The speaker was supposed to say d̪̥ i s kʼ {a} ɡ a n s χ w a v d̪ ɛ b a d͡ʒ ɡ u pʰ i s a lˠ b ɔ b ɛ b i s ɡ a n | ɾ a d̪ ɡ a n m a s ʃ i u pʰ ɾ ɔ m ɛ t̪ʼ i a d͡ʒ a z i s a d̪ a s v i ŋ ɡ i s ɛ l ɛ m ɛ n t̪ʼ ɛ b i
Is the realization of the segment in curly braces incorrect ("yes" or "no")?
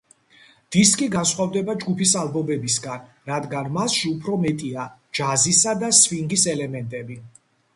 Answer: yes